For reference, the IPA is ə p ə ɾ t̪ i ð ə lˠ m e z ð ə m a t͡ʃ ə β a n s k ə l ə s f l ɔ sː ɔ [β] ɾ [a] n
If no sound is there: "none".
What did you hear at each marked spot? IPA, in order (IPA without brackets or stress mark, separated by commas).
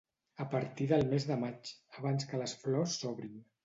β, i